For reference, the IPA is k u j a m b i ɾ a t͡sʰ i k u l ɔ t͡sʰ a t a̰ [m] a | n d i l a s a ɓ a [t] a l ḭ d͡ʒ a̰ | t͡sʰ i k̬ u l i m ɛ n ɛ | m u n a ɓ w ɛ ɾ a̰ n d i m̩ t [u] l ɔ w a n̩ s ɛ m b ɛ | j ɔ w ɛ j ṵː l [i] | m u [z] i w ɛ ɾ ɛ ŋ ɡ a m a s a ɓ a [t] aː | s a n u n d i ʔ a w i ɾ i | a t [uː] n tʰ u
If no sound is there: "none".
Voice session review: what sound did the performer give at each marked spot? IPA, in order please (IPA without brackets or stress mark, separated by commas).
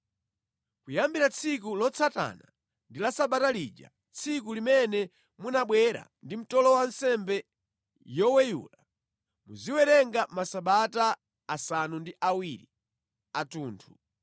n, t, ɔ, a, z, t, uː